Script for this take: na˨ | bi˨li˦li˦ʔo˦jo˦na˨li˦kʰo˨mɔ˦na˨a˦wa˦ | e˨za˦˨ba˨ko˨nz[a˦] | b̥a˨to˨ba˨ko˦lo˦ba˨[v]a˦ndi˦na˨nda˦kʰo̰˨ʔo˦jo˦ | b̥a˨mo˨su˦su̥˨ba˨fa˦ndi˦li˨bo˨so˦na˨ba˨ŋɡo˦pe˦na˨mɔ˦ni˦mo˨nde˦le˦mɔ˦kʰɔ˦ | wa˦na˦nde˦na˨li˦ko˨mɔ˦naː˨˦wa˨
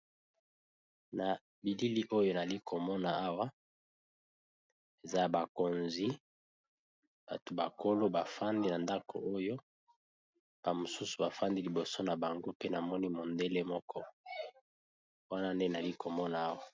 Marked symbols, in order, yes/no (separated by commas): no, no